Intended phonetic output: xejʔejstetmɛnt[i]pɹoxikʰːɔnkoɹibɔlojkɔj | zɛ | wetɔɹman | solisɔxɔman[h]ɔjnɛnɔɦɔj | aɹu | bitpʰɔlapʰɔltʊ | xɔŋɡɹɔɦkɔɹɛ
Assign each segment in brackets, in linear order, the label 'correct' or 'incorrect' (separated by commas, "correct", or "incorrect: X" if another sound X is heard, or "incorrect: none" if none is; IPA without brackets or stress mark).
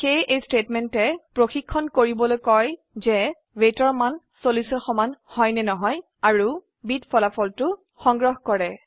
incorrect: ɛ, correct